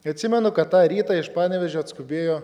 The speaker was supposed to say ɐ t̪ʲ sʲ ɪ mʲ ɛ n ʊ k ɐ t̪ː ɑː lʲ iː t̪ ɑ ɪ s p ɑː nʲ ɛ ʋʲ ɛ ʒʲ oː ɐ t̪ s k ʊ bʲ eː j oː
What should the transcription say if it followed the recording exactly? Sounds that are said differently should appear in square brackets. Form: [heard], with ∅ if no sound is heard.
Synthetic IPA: ɐ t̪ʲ sʲ ɪ mʲ ɛ n ʊ k ɐ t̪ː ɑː [ɾʲ] iː t̪ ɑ ɪ [ʃ] p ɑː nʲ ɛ ʋʲ ɛ ʒʲ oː ɐ t̪ s k ʊ bʲ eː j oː